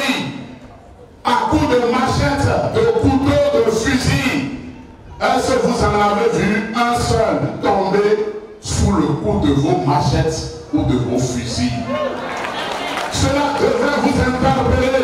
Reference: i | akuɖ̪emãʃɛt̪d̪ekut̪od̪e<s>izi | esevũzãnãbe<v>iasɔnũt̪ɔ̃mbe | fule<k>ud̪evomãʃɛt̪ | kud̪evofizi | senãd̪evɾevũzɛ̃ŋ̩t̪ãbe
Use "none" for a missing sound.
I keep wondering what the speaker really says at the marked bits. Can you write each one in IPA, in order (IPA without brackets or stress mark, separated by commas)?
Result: f, v, k